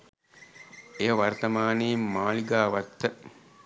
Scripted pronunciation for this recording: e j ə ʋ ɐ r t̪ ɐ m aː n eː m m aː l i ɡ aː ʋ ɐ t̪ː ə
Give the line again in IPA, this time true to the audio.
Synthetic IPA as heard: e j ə ʋ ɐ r t̪ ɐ m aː n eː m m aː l i ɡ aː ʋ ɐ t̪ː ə